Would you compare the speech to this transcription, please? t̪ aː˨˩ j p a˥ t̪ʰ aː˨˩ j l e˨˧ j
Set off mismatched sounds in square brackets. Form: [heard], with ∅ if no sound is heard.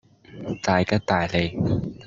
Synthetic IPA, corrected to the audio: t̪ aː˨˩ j [k] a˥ [t̪] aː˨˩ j l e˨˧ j